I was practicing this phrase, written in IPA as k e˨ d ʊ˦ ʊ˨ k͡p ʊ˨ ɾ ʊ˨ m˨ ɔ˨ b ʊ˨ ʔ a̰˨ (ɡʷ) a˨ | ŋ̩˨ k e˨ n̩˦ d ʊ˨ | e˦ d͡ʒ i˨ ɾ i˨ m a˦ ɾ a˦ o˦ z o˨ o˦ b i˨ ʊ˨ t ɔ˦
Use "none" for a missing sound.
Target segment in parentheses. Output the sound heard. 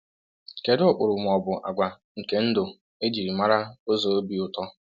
ɡʷ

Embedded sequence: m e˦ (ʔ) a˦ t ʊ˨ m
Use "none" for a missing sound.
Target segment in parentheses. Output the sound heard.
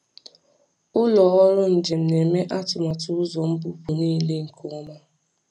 ʔ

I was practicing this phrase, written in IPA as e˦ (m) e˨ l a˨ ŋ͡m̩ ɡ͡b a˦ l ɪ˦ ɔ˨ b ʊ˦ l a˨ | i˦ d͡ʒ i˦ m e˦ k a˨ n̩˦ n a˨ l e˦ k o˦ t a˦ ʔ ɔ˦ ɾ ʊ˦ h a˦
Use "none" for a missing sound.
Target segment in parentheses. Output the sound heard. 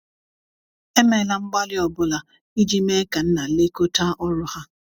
m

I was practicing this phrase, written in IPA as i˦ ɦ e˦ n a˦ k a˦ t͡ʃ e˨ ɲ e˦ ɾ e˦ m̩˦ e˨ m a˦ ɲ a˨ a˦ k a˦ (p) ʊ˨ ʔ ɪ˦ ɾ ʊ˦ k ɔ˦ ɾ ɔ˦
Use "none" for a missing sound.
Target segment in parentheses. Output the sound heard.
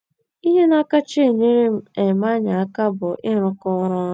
b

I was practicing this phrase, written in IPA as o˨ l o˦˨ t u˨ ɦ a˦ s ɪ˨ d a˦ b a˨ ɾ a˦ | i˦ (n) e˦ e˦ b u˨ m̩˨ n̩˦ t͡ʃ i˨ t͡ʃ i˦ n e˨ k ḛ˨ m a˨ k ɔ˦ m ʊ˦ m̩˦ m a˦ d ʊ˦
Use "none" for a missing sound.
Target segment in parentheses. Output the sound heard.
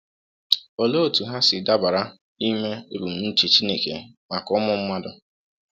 m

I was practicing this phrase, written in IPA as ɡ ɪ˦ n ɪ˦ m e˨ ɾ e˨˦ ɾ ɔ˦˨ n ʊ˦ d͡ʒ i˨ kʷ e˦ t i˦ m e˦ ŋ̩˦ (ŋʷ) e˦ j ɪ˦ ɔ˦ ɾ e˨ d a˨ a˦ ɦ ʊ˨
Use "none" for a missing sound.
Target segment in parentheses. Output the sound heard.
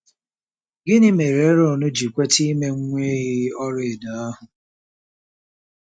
ŋʷ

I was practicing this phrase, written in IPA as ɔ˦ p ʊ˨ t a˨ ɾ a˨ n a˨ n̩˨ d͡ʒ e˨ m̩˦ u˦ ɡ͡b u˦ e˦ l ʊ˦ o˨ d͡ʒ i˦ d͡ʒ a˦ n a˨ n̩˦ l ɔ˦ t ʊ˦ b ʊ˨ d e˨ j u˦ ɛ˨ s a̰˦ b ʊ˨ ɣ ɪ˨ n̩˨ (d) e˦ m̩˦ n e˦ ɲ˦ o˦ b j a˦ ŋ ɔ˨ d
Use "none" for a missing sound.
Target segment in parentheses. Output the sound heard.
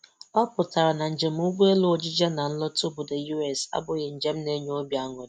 d͡ʒ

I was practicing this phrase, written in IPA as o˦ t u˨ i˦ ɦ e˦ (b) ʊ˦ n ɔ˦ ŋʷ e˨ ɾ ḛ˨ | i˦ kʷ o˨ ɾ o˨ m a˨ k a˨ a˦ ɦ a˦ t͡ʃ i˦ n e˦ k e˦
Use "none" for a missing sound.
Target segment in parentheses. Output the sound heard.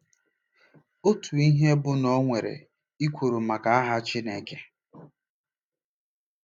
b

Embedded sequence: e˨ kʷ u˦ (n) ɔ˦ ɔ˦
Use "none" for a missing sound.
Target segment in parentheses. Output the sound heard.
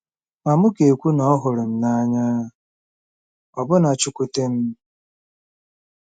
n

